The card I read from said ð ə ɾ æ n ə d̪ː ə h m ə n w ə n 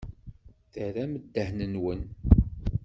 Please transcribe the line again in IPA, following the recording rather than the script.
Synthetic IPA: θ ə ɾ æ m ə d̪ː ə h n ə n w ə n